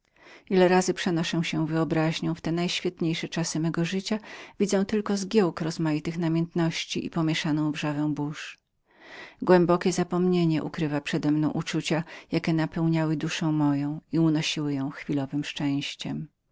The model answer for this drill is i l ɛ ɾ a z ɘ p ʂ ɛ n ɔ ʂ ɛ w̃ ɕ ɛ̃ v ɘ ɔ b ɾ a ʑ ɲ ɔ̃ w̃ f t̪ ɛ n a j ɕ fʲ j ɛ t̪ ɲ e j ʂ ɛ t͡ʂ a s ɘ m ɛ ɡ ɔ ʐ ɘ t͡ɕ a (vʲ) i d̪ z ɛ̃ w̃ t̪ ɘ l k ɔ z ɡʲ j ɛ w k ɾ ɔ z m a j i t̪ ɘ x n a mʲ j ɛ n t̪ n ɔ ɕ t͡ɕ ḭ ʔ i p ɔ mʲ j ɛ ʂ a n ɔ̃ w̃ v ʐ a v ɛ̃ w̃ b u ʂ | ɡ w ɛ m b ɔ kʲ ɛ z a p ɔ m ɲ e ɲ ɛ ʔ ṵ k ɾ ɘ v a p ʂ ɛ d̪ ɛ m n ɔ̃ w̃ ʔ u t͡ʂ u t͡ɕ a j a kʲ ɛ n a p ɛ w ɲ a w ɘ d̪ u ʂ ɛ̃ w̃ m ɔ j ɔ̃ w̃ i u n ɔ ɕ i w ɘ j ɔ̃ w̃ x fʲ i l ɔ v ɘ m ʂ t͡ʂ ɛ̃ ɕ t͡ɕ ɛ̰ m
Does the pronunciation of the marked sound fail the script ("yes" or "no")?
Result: no